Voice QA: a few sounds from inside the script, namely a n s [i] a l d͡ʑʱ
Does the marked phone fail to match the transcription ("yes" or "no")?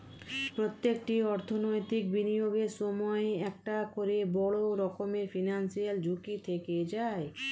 no